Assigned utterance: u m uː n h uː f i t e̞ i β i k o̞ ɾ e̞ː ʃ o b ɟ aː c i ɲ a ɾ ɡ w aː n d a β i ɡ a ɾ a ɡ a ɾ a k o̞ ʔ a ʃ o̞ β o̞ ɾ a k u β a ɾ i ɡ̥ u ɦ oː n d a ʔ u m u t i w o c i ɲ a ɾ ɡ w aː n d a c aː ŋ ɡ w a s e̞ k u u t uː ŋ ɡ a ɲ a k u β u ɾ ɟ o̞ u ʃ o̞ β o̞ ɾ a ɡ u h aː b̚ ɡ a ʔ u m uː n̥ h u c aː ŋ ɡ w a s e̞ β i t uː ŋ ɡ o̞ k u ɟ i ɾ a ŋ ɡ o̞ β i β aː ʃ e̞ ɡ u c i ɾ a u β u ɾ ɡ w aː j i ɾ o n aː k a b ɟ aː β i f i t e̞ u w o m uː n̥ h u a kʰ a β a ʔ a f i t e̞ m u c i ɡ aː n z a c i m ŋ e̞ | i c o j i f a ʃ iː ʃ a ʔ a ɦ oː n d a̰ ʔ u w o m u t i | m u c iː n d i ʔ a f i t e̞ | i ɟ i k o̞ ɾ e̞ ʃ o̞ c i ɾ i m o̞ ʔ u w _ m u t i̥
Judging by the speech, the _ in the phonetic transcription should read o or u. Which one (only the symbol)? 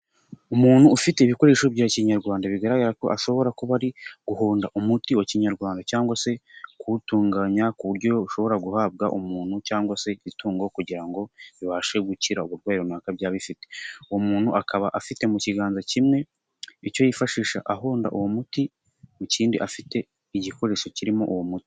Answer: o